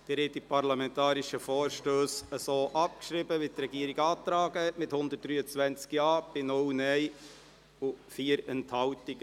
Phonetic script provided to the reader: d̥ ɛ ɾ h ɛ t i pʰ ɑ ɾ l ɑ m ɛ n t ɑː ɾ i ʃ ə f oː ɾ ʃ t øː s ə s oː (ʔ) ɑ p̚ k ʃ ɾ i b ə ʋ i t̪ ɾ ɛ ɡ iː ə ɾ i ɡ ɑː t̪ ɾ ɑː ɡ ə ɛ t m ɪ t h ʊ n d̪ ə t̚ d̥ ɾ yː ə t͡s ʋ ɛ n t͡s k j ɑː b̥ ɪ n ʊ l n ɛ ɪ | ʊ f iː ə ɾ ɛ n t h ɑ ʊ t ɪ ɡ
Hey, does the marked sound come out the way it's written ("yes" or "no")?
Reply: yes